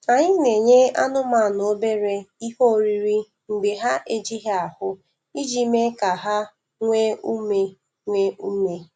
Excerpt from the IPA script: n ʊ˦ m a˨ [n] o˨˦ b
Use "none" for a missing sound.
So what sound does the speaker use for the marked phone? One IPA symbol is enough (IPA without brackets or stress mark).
n